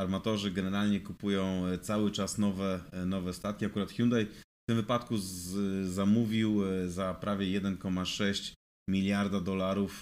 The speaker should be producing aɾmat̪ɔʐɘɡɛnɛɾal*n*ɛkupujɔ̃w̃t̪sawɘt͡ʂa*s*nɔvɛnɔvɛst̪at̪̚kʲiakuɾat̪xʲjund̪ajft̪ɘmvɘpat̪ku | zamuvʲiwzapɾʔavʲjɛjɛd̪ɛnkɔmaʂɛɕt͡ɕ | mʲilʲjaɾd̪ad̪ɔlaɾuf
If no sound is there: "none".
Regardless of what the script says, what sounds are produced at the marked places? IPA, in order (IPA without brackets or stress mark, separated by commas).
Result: ɲ, s